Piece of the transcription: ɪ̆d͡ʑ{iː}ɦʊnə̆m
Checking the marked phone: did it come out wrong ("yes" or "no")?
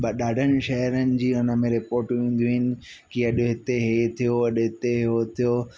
no